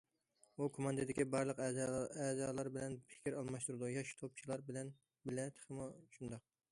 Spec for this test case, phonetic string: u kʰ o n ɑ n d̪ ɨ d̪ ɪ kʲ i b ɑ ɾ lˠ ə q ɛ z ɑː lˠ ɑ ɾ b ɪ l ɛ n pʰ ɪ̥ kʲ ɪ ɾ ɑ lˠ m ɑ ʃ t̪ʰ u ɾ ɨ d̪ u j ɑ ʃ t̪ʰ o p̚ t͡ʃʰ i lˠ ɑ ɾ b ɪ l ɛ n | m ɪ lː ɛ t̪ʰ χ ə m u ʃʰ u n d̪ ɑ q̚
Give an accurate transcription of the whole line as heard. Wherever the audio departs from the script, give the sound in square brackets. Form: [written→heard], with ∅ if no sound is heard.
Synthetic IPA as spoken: u kʰ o [n→m] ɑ n d̪ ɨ d̪ ɪ kʲ i b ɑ ɾ lˠ ə q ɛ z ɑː lˠ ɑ ɾ b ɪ l ɛ n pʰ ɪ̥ kʲ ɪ ɾ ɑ lˠ m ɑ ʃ [t̪ʰ→t̪] u ɾ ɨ d̪ u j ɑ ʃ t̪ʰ o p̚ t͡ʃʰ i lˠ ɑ ɾ b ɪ l ɛ n | [m→b] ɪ [lː→l] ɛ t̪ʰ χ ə m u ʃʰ u n d̪ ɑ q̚